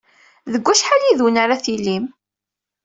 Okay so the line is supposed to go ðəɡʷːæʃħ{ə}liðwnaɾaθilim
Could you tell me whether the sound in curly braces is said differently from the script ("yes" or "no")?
yes